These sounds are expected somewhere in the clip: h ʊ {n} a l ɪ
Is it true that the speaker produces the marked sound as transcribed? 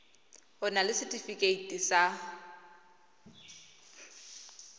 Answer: yes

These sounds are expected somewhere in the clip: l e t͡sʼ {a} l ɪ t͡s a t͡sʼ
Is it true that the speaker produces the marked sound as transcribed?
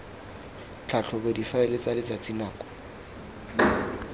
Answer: yes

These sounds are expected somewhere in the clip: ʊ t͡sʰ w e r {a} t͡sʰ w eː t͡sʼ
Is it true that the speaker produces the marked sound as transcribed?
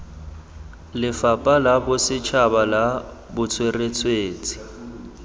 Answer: no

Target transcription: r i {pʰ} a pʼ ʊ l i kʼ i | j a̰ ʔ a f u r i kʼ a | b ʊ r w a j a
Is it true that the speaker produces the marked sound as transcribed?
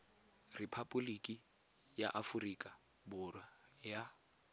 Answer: yes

